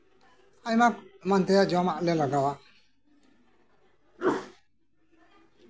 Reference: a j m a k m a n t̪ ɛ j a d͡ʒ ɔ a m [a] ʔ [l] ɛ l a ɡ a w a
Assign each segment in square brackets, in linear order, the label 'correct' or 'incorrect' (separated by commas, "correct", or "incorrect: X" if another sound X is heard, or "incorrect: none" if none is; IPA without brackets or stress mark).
correct, correct